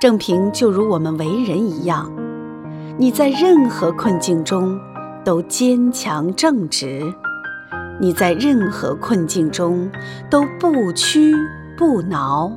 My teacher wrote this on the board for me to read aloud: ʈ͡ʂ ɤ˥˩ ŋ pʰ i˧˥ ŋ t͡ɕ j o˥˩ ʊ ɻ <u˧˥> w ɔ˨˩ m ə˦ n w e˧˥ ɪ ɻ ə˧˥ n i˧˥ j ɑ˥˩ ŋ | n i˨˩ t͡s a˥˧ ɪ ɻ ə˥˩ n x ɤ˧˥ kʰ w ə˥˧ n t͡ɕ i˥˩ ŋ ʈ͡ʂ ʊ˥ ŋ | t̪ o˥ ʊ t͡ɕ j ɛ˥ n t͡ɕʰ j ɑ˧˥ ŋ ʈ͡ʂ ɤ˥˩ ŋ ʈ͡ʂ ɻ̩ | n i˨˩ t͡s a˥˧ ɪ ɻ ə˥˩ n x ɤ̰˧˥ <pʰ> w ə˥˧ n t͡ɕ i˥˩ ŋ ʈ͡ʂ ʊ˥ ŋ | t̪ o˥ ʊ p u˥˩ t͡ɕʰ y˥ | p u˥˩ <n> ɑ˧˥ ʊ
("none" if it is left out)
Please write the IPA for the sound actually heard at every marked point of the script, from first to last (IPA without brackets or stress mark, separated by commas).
u˧˥, kʰ, n